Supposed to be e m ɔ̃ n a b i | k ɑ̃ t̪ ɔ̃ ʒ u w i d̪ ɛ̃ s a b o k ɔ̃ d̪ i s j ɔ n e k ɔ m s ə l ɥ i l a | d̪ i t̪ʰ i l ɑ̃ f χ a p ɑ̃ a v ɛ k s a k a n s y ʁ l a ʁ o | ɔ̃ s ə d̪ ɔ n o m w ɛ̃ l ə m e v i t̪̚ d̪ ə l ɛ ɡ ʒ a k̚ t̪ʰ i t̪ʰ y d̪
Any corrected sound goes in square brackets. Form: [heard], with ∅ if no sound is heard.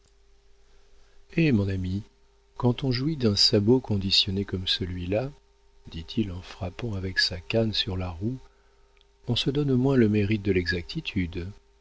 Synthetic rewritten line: e m ɔ̃ n a [m] i | k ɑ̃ t̪ ɔ̃ ʒ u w i d̪ ɛ̃ s a b o k ɔ̃ d̪ i s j ɔ n e k ɔ m s ə l ɥ i l a | d̪ i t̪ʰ i l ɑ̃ f χ a p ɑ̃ a v ɛ k s a k a n s y ʁ l a ʁ [u] | ɔ̃ s ə d̪ ɔ n o m w ɛ̃ l ə m e [ʁ] i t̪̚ d̪ ə l ɛ ɡ [z] a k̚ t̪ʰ i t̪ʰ y d̪

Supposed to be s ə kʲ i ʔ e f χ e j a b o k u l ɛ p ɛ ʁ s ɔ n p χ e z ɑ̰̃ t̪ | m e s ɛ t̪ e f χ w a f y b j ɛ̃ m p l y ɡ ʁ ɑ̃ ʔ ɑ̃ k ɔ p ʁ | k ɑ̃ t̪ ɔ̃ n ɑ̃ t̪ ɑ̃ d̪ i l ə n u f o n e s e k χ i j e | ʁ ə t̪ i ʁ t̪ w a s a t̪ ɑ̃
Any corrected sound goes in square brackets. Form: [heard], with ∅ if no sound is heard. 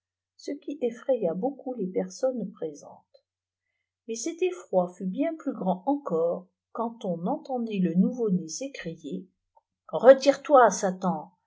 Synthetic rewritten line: s ə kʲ i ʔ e f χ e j a b o k u l [e] p ɛ ʁ s ɔ n p χ e z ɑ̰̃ t̪ | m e s ɛ t̪ e f χ w a f y b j ɛ̃ [∅] p l y ɡ ʁ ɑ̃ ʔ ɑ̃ k ɔ [∅] ʁ | k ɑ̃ t̪ ɔ̃ n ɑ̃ t̪ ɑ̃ d̪ i l ə n u [v] o n e s e k χ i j e | ʁ ə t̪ i ʁ t̪ w a s a t̪ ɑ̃

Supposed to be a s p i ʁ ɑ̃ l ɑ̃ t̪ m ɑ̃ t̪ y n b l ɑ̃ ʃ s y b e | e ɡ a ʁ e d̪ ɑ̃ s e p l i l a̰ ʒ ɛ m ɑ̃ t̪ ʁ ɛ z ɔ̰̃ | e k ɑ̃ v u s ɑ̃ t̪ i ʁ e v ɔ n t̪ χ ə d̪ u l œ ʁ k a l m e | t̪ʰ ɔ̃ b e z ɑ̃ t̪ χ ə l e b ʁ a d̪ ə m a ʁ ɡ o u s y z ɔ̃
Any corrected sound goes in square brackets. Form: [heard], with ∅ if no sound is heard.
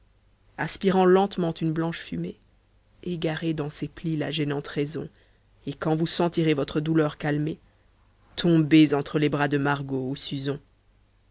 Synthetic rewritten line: a s p i ʁ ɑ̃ l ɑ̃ t̪ m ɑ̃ t̪ y n b l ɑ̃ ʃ [f] y [m] e | e ɡ a ʁ e d̪ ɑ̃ s e p l i l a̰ ʒ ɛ [n] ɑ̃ t̪ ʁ ɛ z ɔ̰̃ | e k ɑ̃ v u s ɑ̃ t̪ i ʁ e v ɔ [∅] t̪ χ ə d̪ u l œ ʁ k a l m e | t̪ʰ ɔ̃ b e z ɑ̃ t̪ χ ə l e b ʁ a d̪ ə m a ʁ ɡ o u s y z ɔ̃

